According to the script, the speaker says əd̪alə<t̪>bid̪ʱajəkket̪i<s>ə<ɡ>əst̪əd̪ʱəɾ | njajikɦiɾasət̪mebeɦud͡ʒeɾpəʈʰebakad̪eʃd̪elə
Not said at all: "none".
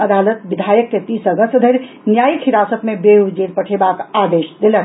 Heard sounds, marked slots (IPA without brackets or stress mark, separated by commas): t̪, s, ɡ